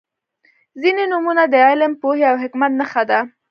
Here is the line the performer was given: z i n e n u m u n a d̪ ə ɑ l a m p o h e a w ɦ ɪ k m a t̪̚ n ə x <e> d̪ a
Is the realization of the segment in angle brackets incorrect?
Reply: yes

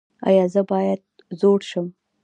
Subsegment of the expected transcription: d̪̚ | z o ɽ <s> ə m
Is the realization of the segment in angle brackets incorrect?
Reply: yes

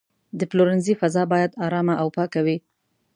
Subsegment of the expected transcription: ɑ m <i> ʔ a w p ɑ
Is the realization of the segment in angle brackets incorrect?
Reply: yes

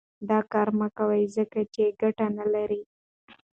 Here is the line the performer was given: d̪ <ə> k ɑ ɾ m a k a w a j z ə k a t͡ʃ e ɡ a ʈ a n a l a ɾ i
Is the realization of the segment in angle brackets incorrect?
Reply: yes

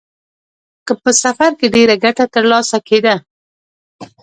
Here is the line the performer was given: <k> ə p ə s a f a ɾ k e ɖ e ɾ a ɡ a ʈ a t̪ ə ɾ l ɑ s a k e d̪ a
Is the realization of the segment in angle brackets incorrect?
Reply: no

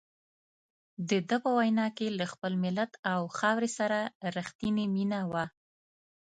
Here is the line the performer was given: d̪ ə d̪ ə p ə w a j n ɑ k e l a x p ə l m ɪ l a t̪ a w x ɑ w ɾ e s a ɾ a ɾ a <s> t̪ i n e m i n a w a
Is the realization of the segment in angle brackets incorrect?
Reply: yes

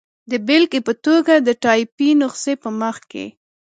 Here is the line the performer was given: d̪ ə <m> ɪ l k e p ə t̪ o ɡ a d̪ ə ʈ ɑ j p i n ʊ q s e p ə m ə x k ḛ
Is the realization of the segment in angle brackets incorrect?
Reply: yes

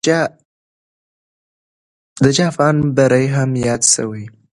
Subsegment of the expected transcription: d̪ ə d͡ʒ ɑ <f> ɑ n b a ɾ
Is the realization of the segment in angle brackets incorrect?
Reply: no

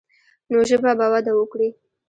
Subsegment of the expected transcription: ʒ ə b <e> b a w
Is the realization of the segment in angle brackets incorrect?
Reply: yes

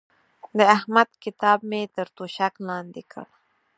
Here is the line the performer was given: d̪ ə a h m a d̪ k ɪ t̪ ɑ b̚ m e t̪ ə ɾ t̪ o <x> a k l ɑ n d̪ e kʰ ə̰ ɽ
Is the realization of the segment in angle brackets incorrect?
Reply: yes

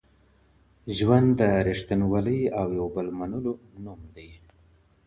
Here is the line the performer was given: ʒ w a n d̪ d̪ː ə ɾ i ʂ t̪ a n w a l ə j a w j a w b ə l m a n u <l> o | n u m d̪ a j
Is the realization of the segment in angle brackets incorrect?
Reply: no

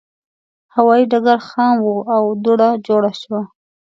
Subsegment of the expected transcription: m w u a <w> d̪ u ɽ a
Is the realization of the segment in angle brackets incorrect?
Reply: no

